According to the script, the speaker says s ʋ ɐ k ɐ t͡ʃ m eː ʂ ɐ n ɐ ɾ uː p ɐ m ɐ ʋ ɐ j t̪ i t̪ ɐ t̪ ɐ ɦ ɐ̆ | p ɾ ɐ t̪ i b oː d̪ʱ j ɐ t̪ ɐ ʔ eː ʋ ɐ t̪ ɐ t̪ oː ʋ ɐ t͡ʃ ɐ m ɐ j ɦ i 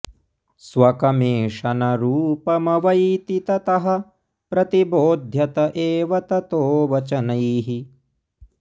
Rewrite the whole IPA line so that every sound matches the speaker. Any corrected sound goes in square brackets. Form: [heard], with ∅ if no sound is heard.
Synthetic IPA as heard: s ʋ ɐ k ɐ [∅] m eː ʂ ɐ n ɐ ɾ uː p ɐ m ɐ ʋ ɐ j t̪ i t̪ ɐ t̪ ɐ ɦ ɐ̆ | p ɾ ɐ t̪ i b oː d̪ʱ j ɐ t̪ ɐ ʔ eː ʋ ɐ t̪ ɐ t̪ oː ʋ ɐ t͡ʃ ɐ [n] ɐ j ɦ i